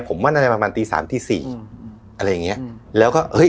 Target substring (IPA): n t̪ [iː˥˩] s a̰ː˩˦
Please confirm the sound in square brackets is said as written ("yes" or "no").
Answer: no